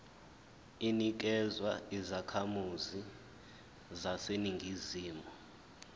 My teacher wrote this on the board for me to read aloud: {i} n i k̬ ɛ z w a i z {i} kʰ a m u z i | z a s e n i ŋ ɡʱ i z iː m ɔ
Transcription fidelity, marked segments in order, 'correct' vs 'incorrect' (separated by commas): correct, incorrect